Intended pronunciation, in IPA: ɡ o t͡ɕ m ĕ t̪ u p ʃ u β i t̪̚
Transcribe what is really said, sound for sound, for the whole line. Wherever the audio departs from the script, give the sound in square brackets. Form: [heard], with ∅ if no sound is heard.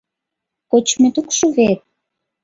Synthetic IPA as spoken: [k] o t͡ɕ m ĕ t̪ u [k] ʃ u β [e] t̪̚